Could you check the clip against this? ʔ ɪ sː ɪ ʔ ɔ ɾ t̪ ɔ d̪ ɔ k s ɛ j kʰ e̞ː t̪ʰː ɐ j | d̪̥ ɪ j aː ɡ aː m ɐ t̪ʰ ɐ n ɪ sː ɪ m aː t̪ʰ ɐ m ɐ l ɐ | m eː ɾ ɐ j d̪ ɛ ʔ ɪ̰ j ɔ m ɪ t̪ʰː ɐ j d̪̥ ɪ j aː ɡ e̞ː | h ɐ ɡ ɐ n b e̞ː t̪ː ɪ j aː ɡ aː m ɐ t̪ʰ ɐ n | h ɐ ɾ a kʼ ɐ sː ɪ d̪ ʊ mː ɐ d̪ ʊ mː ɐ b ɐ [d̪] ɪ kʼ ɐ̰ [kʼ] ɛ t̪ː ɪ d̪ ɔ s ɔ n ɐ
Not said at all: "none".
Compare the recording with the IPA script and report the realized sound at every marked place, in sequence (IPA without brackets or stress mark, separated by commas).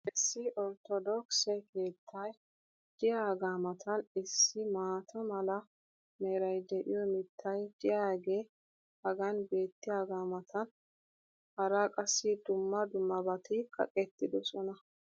t̪, kʼ